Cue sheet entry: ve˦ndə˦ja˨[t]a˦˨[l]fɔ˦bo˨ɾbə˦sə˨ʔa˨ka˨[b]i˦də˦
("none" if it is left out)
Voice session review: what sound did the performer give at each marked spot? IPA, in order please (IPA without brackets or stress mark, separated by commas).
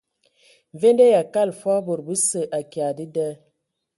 k, l, d